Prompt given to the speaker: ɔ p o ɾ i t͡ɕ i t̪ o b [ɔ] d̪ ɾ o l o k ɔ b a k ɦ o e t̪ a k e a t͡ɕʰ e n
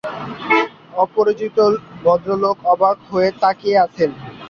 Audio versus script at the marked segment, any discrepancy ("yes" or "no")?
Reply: no